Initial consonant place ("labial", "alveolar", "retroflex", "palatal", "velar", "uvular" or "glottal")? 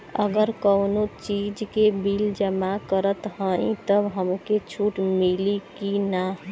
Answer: velar